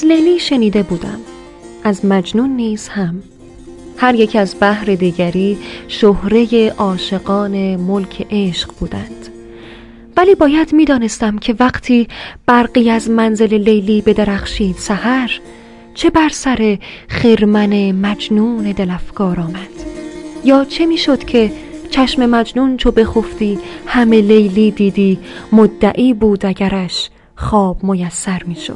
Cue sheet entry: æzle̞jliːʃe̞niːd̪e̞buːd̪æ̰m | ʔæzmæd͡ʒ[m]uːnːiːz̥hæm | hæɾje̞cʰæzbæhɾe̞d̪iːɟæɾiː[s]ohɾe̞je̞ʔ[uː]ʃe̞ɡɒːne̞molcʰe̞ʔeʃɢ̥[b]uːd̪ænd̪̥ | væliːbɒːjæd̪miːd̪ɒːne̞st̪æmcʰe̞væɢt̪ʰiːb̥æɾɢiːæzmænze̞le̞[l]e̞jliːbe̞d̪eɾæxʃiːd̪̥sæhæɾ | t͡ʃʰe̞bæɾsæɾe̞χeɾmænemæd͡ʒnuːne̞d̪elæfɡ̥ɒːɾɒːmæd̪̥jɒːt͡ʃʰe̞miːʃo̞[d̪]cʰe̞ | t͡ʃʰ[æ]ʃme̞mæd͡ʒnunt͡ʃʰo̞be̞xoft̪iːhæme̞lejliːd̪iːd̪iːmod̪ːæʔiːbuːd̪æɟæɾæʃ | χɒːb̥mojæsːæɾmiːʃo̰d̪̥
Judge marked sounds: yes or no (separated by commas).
no, no, no, yes, yes, yes, yes